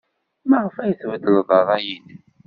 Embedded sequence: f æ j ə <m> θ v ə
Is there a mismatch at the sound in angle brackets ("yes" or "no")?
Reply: yes